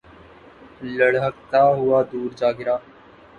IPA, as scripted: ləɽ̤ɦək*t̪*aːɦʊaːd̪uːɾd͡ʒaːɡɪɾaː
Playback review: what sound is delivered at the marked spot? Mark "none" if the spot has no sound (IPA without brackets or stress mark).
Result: t̪